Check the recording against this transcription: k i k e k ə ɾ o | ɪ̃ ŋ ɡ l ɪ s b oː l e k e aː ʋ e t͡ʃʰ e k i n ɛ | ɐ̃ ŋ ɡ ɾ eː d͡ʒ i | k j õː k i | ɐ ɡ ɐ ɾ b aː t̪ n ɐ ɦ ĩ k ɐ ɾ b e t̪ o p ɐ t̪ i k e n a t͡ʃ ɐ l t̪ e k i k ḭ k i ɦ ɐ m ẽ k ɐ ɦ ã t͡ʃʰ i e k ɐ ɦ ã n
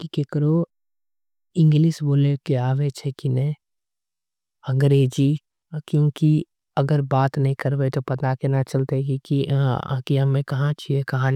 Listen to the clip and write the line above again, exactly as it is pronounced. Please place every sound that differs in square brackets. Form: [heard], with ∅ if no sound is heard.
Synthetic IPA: k i k e k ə ɾ o | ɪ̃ ŋ ɡ l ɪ s b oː l e k e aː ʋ e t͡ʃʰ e k i n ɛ | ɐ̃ ŋ ɡ ɾ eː d͡ʒ i | k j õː k i | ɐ ɡ [ə] ɾ b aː t̪ n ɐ ɦ ĩ k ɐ ɾ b e t̪ o p ɐ t̪ [a] k e n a t͡ʃ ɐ l t̪ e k i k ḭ k i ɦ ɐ m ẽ k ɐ ɦ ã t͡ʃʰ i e k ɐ ɦ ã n